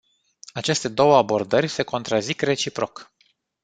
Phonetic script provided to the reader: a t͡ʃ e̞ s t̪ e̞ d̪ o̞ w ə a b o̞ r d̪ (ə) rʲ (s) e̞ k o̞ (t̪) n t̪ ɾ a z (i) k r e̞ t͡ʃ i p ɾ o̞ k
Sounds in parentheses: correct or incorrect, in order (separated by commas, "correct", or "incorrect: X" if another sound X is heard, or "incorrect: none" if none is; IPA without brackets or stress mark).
correct, correct, incorrect: none, correct